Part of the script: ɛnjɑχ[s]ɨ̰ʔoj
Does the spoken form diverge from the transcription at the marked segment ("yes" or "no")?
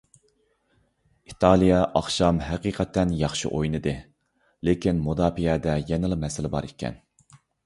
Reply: yes